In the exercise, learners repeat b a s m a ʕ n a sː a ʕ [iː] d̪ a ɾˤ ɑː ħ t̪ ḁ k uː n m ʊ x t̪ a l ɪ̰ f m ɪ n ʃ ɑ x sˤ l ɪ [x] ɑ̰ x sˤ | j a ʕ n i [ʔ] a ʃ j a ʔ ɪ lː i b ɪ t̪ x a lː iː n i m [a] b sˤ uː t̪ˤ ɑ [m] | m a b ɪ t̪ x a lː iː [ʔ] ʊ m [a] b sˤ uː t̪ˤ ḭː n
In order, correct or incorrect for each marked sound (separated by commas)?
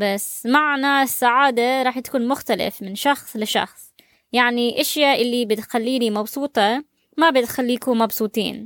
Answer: incorrect, incorrect, correct, incorrect, incorrect, incorrect, incorrect